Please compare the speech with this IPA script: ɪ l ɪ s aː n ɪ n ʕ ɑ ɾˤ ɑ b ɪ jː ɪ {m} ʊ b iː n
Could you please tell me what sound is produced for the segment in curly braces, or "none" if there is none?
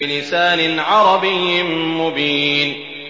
m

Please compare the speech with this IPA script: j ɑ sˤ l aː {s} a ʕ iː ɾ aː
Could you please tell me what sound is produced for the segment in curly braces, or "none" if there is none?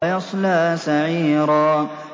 s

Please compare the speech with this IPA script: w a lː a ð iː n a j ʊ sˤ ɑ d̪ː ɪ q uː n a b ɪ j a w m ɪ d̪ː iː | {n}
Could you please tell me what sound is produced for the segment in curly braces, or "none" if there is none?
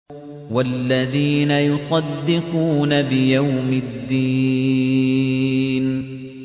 n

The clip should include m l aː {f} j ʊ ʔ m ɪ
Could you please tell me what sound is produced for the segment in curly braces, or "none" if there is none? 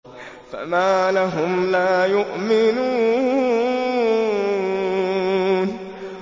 none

